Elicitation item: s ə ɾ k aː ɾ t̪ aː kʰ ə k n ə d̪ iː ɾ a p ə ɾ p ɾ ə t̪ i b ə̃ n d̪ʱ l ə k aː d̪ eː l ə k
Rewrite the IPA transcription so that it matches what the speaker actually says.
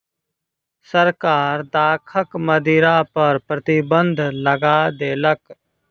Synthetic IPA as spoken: s ə ɾ k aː ɾ d̪ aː kʰ ə k m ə d̪ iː ɾ a p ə ɾ p ɾ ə t̪ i b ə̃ n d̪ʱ l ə ɡ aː d̪ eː l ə k